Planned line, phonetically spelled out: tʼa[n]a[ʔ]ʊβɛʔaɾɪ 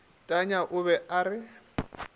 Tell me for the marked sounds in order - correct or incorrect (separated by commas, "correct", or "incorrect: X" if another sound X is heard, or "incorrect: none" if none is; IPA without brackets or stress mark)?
incorrect: ɲ, correct